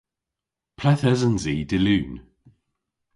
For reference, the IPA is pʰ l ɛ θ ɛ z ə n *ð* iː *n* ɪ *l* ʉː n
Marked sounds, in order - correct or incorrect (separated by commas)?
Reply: incorrect, incorrect, correct